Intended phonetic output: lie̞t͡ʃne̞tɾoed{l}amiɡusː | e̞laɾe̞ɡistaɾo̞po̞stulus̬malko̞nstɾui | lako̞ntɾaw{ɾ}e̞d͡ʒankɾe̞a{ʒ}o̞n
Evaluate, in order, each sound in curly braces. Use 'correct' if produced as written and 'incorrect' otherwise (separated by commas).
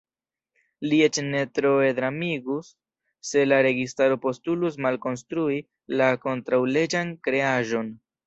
incorrect, incorrect, correct